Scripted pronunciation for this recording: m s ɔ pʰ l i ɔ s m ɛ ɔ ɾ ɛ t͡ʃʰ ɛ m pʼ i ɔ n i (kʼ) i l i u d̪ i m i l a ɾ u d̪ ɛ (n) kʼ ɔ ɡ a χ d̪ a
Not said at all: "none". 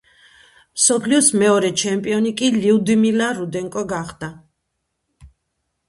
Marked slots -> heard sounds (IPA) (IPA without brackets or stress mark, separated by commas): kʼ, ŋ